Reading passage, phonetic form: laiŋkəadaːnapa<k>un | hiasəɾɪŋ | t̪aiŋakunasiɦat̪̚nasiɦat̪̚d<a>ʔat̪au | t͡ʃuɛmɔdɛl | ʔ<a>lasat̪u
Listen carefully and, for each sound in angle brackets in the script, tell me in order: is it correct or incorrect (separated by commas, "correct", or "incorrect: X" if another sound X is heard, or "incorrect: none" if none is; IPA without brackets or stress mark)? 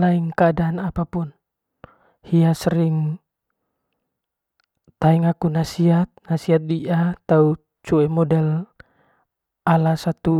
incorrect: p, incorrect: i, correct